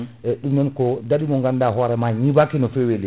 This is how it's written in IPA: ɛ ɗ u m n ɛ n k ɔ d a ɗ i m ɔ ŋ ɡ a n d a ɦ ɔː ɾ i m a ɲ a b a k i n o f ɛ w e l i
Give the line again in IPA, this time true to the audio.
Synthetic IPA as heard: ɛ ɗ u m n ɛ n k ɔ d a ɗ i m ɔ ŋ ɡ a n d a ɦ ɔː ɾ ɛ m a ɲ i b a k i n ɔ f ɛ w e l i

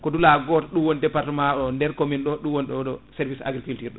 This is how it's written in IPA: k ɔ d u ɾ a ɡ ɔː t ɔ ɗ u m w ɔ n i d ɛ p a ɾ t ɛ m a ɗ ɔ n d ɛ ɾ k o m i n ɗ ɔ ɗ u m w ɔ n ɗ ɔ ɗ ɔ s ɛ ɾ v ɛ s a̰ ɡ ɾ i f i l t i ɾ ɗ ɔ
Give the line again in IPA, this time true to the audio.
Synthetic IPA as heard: k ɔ d u l a ɡ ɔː t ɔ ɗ u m w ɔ n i d ɛ p a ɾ t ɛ m a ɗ ɔ n d ɛ ɾ k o m i n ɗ ɔ ɗ u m w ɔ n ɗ ɔ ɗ ɔ s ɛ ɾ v i s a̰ ɡ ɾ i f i l t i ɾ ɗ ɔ

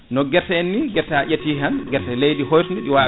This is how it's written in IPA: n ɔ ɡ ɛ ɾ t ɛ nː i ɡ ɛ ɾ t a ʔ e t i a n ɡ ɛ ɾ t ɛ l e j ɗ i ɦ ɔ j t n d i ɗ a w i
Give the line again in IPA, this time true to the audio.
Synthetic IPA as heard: n ɔ ɡ ɛ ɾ t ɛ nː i ɡ ɛ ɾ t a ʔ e t i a n ɡ ɛ ɾ t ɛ l e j d i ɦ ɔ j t n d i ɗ i w a

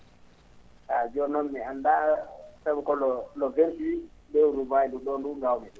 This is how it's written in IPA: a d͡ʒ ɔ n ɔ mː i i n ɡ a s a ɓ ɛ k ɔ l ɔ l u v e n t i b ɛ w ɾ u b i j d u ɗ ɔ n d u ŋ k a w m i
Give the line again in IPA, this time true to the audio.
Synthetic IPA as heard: a d͡ʒ ɔ n ɔ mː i a n d a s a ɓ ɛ k ɔ l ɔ l ɔ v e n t i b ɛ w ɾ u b a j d u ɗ ɔ n d u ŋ ɡ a w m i

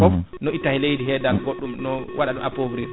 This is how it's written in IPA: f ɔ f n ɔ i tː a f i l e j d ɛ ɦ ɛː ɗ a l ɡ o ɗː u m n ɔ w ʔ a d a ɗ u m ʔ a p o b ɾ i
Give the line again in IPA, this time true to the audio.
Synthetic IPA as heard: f ɔ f n ɔ i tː a h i l e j d i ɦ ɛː d a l ɡ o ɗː u m n ɔ w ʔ a ɗ a ɗ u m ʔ a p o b ɾ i

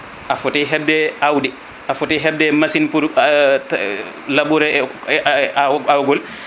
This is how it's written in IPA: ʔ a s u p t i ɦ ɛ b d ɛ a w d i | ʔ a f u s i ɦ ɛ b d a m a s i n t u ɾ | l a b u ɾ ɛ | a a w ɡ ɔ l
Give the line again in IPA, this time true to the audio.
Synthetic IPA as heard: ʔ a f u t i ɦ ɛ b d ɛ a w d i | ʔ a f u t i ɦ ɛ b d ɛ m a s i n p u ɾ | l a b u ɾ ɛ | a a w ɡ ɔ l

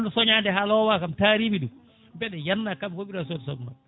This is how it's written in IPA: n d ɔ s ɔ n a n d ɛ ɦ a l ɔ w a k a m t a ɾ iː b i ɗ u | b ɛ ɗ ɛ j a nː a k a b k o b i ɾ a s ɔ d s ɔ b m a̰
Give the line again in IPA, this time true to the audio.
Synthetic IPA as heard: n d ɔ s ɔ ɲ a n d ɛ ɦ a l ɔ w a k a m t a ɾ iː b i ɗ u | b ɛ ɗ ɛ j a nː a k a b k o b i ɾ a s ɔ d s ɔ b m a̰

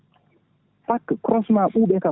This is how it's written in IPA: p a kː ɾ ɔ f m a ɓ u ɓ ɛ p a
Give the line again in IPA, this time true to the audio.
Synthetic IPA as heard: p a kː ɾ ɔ s m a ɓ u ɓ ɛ k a

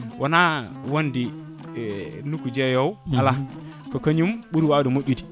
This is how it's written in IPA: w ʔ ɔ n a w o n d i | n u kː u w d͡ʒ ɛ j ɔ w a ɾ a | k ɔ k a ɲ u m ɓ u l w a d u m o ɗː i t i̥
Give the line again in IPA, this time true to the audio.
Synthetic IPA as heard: w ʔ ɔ n a w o n d i | n u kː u d͡ʒ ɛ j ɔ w a l a | k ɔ k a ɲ u m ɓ u ɾ w a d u m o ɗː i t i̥

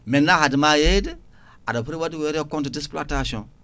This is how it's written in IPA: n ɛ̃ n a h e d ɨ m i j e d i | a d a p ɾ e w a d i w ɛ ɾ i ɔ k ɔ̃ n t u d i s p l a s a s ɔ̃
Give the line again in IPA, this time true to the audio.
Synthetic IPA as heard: m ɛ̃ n a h a d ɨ m a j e d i | a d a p ɾ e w a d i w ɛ ɾ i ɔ k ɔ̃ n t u d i s p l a t a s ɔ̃

